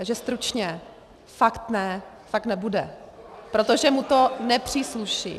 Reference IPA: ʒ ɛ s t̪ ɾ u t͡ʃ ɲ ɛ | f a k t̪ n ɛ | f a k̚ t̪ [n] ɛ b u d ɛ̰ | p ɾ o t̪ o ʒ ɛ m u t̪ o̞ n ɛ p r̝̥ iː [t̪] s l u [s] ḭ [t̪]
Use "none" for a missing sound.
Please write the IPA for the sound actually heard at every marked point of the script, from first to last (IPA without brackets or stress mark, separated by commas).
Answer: n, none, ʃ, none